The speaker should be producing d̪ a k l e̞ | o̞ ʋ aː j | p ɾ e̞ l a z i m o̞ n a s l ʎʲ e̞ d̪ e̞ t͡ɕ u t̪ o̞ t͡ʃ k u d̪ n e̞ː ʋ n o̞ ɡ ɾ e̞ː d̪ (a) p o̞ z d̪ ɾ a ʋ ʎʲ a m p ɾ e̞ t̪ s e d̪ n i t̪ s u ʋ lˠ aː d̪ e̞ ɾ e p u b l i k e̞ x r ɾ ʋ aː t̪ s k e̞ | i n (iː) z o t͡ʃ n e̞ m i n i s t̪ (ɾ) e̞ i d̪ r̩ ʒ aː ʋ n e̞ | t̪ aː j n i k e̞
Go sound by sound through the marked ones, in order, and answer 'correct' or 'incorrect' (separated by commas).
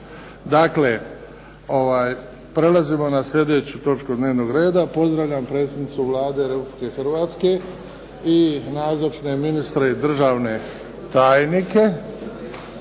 correct, incorrect, correct